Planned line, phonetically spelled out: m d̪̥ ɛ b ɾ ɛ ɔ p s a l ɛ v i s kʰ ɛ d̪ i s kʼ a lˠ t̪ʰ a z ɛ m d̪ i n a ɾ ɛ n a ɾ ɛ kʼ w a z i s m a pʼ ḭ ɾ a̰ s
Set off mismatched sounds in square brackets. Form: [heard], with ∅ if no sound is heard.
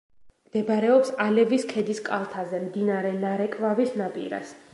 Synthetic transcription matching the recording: m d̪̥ ɛ b ɾ ɛ ɔ p s a l ɛ v i s kʰ ɛ d̪ i s kʼ a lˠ t̪ʰ a z ɛ m d̪ i n a ɾ ɛ n a ɾ ɛ kʼ [v] a [v] i s [n] a pʼ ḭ ɾ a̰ s